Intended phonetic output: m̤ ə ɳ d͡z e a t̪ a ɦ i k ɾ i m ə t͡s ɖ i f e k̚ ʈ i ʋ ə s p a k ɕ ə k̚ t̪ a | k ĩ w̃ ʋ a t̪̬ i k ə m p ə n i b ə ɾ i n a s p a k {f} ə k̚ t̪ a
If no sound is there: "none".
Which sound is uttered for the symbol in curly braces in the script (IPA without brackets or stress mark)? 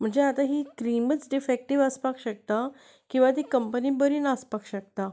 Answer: ɕ